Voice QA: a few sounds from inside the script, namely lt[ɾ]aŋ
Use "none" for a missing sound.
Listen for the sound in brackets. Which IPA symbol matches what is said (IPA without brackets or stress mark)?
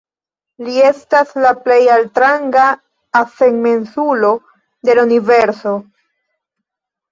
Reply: ɾ